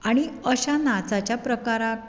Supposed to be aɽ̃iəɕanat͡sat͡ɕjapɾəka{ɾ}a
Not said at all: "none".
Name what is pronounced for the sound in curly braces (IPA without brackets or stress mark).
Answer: ɾ